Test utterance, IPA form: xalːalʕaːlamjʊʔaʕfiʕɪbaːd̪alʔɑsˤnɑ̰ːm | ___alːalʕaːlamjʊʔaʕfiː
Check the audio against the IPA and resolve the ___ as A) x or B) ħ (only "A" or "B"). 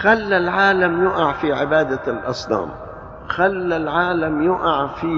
A